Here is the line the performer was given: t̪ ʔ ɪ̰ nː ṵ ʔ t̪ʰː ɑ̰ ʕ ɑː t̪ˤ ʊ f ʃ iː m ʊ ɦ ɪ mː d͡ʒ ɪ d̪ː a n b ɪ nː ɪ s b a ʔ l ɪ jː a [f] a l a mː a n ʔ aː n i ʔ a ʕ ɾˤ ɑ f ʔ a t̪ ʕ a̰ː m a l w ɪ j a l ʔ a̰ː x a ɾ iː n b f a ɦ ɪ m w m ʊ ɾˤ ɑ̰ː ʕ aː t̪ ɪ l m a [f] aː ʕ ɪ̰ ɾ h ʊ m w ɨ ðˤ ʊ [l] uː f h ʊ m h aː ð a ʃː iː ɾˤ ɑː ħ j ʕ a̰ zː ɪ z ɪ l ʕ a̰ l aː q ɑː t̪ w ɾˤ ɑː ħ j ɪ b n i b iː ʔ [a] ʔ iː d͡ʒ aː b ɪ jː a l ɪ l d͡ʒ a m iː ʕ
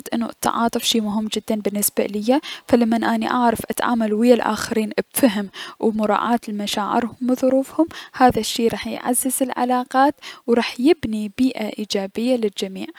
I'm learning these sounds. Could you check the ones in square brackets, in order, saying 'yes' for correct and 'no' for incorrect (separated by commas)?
yes, no, no, yes